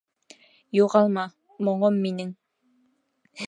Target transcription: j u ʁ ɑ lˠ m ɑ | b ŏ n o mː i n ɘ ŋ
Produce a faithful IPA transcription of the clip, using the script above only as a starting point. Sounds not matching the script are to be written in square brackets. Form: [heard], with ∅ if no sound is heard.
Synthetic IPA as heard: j u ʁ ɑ lˠ m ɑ | [m] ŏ [ɴ] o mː i n ɘ ŋ